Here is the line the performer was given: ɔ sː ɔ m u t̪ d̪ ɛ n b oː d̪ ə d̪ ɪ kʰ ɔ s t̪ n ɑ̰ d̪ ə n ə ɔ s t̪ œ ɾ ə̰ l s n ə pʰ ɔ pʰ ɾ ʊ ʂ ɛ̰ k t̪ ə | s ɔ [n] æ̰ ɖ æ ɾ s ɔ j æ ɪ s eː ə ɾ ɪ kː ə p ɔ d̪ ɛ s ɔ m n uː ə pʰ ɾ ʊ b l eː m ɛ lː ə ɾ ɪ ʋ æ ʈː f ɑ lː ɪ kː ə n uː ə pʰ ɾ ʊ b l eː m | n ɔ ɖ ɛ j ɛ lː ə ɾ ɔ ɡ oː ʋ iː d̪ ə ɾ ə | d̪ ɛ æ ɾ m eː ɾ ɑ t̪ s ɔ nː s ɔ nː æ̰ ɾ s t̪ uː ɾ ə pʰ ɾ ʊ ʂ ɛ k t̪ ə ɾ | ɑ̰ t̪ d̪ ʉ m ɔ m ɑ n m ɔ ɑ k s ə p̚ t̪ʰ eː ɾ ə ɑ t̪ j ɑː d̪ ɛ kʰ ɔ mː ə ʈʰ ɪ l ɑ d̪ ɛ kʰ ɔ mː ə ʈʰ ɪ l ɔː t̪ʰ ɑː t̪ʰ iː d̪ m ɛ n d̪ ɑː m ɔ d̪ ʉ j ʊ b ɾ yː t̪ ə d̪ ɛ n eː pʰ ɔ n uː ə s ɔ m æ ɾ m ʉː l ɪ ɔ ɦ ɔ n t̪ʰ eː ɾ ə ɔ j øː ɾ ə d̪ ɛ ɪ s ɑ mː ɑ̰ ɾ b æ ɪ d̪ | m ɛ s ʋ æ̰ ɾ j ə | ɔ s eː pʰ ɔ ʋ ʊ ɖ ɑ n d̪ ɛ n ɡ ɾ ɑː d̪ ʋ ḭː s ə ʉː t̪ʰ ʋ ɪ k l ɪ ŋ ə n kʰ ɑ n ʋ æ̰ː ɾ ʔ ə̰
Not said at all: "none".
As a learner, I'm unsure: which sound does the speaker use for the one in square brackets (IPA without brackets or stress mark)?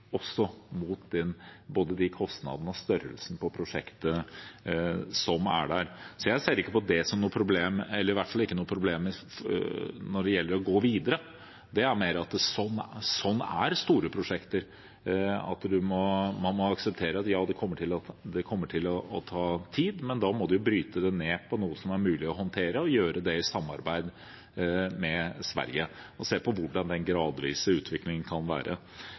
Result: m